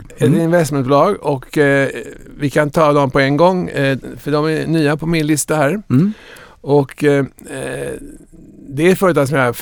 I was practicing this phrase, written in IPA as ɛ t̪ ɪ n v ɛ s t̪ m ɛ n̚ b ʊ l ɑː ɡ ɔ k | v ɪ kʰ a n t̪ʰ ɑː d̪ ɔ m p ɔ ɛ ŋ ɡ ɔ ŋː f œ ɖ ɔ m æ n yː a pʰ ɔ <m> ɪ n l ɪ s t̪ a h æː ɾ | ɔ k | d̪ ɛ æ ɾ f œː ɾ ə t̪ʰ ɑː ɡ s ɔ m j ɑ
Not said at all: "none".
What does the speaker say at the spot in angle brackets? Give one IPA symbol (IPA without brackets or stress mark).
m